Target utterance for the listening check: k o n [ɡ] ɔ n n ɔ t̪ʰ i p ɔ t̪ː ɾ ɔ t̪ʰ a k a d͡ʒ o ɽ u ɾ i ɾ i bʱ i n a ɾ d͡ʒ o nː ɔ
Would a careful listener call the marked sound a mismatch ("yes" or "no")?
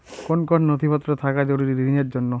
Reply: yes